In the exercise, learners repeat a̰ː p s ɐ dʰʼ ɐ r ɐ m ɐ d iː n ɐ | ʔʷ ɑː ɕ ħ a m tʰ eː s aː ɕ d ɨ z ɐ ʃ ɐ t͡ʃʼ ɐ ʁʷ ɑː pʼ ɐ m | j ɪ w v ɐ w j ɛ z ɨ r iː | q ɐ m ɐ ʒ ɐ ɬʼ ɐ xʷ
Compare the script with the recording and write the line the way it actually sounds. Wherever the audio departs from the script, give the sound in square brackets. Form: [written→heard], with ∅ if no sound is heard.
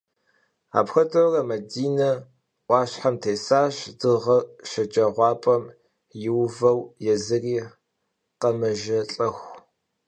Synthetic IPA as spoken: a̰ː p [s→x] ɐ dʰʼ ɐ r ɐ m ɐ d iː n ɐ | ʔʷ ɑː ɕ ħ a m tʰ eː s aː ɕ d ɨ [z→ʁ] ɐ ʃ ɐ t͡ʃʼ ɐ ʁʷ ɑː pʼ ɐ m | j ɪ w v ɐ w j ɛ z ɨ r iː | q ɐ m ɐ ʒ ɐ ɬʼ ɐ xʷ